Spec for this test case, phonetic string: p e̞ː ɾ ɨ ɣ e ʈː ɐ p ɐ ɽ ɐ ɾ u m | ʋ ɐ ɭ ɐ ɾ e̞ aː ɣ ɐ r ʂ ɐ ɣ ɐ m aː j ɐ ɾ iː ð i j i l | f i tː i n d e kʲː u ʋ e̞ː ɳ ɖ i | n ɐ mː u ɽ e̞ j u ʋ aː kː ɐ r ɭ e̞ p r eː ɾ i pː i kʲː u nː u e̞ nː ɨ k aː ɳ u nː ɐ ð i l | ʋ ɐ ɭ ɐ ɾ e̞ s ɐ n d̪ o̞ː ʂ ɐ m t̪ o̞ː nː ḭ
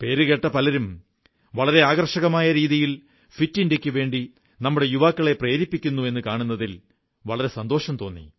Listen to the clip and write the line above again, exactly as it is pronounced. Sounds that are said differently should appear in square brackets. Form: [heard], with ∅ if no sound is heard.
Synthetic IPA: p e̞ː ɾ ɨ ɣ e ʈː ɐ p ɐ [l] ɐ ɾ u m | ʋ ɐ ɭ ɐ ɾ e̞ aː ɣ ɐ r ʂ ɐ ɣ ɐ m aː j ɐ ɾ iː ð i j i l | f i tː i n d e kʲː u ʋ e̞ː ɳ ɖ i | n ɐ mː u ɽ e̞ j u ʋ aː kː ɐ [∅] ɭ e̞ p r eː ɾ i pː i kʲː u nː u e̞ nː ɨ k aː ɳ u nː ɐ ð i l | ʋ ɐ ɭ ɐ ɾ e̞ s ɐ n d̪ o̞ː ʂ ɐ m t̪ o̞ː nː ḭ